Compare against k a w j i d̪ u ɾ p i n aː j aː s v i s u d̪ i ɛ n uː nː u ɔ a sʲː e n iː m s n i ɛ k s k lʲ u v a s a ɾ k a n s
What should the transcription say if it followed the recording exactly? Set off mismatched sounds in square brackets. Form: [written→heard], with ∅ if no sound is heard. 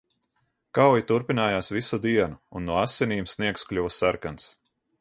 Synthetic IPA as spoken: k a w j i [d̪→t̪] u ɾ p i n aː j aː s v i s u d̪ i ɛ n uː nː u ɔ a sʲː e n iː m s n i ɛ k s k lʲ u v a s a ɾ k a n s